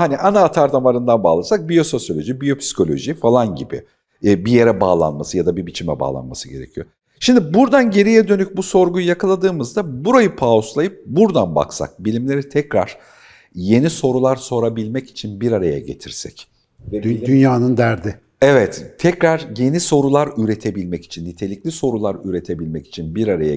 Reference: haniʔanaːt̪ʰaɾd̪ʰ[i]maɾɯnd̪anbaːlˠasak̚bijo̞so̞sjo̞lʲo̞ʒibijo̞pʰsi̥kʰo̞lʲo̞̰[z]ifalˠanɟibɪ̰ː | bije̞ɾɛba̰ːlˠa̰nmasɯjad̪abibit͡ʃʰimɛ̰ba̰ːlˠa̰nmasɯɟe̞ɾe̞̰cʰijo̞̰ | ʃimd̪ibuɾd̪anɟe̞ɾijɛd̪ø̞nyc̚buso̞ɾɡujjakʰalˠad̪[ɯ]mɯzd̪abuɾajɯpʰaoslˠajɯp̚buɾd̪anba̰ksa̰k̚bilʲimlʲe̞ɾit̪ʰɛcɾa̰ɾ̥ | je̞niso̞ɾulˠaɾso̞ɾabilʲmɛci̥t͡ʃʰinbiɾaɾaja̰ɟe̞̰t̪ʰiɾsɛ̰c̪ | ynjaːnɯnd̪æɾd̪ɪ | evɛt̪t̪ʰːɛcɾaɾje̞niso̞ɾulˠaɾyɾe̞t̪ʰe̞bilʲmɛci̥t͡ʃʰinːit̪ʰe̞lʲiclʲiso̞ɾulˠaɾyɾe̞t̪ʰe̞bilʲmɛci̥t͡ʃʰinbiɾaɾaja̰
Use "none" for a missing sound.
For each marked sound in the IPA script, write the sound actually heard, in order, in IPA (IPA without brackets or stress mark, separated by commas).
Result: a, ʒ, ɯː